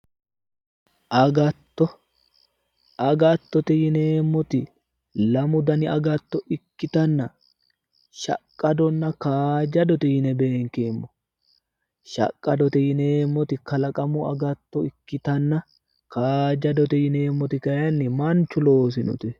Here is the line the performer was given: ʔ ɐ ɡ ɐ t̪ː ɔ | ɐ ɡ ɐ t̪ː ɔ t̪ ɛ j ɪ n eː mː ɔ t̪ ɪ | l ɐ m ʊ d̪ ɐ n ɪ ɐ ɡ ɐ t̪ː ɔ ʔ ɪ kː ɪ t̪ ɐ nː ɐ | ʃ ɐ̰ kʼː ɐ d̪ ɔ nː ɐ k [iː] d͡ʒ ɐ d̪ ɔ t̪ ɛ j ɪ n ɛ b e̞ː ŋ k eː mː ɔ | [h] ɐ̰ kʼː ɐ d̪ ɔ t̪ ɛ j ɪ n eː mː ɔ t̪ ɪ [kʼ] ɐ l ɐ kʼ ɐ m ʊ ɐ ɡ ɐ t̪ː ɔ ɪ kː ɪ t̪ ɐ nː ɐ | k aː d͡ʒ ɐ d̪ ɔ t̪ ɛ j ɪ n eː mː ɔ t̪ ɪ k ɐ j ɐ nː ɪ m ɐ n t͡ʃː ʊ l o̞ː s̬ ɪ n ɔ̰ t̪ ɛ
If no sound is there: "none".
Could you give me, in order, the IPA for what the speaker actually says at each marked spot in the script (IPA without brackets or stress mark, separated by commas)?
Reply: aː, ʃ, k